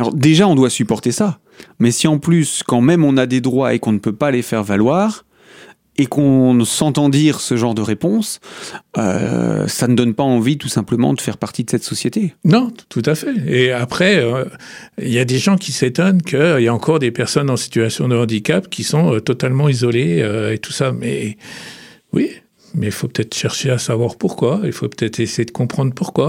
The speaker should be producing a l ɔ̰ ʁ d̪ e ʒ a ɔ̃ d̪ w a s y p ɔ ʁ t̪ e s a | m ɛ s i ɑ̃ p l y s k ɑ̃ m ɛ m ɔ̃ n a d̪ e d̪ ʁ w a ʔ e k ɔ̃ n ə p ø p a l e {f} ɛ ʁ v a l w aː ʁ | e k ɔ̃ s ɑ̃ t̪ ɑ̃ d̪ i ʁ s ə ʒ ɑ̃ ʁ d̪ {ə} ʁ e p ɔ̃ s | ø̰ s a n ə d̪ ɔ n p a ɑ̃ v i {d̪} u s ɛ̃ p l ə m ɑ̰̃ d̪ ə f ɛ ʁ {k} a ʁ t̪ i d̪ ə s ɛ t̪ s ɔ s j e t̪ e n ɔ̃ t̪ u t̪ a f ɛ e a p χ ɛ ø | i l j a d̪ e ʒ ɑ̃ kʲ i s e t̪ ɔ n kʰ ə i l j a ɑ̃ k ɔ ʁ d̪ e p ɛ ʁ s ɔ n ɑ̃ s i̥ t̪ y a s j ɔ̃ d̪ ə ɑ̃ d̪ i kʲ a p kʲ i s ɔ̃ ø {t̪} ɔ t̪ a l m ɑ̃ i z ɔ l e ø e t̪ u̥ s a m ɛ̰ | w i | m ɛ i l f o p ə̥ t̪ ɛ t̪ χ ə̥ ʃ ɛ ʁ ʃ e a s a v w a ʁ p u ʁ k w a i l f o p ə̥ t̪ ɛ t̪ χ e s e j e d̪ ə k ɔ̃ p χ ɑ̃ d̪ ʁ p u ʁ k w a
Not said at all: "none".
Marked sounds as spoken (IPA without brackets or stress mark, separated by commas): f, ə, t̪, p, t̪